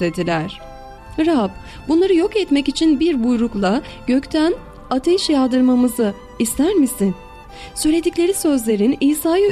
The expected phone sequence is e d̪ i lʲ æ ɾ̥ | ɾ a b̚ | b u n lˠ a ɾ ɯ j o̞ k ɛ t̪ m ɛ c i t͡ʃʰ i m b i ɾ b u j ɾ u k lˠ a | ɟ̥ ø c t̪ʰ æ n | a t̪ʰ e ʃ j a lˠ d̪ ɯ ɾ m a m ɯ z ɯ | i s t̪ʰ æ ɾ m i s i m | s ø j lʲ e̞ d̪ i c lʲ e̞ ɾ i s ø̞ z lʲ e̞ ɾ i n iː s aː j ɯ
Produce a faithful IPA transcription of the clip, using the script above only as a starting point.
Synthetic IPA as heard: e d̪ i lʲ æ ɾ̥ | ɾ a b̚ | b u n lˠ a ɾ ɯ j o̞ k ɛ t̪ m ɛ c i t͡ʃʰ i n b i ɾ b u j ɾ u k lˠ a | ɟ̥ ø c t̪ʰ æ n | a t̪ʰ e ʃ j a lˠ d̪ ɯ ɾ m a m ɯ z ɯ | i s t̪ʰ æ ɾ m i s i n | s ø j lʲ e̞ d̪ i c lʲ e̞ ɾ i s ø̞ z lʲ e̞ ɾ i n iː s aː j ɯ